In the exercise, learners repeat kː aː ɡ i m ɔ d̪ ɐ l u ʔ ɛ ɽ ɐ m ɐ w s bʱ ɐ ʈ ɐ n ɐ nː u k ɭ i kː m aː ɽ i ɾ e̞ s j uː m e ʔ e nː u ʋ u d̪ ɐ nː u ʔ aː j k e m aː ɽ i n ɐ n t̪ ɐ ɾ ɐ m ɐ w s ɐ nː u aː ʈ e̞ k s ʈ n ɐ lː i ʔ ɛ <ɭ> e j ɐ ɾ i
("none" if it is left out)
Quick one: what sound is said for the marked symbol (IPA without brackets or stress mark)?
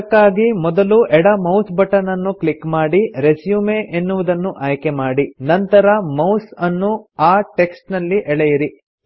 ɭ